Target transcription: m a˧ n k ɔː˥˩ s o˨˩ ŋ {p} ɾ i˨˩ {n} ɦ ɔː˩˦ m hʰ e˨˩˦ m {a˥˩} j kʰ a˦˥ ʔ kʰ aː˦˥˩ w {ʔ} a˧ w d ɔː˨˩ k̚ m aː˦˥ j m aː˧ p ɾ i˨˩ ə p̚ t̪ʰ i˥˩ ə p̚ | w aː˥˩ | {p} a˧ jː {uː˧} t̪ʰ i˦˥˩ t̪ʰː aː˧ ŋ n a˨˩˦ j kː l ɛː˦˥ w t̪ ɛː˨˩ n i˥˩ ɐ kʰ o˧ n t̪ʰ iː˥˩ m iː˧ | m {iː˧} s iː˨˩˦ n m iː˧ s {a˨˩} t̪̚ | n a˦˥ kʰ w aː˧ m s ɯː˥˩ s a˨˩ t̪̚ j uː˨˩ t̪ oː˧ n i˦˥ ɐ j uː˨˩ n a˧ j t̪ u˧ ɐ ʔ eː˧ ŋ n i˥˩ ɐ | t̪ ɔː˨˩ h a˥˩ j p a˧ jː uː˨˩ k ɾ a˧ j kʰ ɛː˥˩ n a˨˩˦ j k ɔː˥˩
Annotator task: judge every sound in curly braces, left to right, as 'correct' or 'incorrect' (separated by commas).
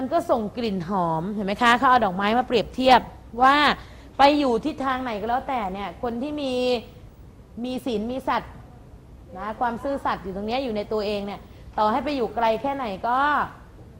incorrect, correct, incorrect, correct, correct, incorrect, correct, correct